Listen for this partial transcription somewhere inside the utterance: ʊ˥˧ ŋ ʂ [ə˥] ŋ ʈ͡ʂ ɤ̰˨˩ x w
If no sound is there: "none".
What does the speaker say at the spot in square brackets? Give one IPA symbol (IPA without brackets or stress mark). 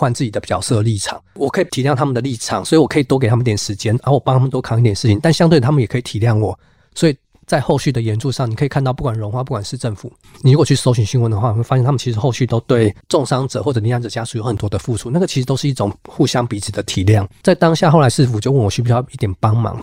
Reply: ɑ˥